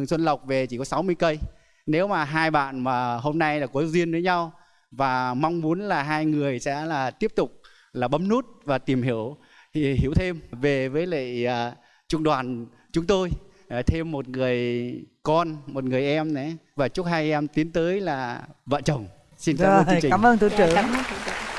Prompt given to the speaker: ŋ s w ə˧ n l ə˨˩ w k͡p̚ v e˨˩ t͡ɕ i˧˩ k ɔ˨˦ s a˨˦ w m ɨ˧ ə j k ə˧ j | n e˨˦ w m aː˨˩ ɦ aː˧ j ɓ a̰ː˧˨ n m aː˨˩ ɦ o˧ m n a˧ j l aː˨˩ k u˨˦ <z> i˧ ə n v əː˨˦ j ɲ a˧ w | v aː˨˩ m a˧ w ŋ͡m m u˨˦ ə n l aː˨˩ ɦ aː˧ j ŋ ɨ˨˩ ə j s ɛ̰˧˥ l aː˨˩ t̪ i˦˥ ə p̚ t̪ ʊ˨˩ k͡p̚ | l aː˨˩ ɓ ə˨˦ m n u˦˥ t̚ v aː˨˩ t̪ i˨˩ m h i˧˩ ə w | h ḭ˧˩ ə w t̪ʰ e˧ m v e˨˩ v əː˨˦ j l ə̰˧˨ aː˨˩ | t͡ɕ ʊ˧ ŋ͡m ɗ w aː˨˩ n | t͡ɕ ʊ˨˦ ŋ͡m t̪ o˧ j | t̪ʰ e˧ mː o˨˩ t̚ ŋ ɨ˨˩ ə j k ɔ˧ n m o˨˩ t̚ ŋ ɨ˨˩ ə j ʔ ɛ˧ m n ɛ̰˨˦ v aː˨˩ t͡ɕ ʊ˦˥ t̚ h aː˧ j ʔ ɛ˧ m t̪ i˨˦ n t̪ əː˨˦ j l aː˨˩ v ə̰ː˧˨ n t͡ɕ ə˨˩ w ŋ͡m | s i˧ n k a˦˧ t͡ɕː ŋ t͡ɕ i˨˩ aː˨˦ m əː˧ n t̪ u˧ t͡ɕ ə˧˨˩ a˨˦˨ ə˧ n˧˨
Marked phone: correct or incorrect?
correct